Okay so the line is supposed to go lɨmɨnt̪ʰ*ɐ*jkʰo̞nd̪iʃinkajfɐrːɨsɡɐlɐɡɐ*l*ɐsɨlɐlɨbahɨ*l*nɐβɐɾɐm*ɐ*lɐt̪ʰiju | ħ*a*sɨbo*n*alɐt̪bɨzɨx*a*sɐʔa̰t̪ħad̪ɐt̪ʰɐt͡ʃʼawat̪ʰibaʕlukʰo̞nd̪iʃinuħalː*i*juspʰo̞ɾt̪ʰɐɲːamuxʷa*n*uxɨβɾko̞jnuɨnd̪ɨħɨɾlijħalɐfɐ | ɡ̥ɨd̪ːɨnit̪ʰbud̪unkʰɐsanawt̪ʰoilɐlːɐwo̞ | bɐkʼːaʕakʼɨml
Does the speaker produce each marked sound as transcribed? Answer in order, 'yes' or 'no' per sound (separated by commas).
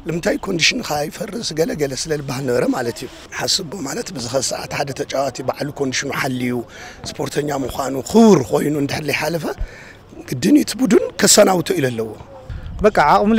no, yes, yes, no, yes, no, no, yes, yes